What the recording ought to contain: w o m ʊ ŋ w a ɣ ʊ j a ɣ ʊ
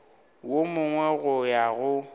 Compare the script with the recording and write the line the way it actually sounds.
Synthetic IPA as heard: w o m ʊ ŋ w ɛ ɣ ʊ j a ɣ ʊ